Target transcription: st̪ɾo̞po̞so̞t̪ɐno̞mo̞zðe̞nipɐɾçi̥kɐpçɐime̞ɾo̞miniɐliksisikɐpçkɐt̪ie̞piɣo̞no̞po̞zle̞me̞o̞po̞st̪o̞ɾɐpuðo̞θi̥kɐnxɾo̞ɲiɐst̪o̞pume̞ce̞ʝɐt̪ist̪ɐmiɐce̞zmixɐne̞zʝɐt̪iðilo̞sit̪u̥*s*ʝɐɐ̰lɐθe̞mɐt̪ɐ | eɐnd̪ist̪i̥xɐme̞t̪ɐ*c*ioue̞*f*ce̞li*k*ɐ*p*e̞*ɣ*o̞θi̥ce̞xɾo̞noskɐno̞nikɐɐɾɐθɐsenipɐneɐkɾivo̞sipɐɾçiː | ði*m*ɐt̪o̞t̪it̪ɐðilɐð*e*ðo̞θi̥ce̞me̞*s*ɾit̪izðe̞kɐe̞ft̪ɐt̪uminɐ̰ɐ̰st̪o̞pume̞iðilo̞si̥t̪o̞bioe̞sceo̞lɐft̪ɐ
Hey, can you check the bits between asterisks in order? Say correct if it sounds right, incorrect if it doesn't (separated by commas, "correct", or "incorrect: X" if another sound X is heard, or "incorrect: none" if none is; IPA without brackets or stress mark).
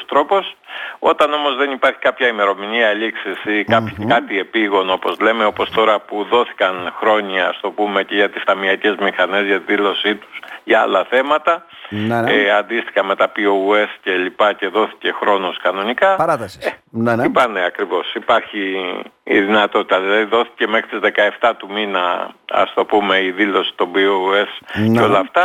correct, incorrect: p, incorrect: s, incorrect: p, incorrect: c, incorrect: ð, incorrect: n, incorrect: i, incorrect: x